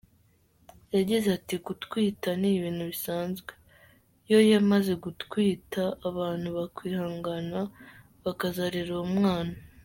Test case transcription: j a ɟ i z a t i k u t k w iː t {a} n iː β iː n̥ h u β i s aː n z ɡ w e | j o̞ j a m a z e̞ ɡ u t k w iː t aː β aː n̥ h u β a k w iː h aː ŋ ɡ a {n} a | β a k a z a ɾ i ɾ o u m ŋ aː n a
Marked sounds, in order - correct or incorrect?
correct, correct

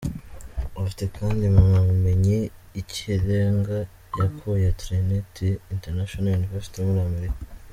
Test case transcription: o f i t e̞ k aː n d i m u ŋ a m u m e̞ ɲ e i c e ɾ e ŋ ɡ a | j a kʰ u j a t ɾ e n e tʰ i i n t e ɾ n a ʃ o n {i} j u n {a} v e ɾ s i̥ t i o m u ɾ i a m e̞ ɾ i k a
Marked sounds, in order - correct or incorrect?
incorrect: a, incorrect: i

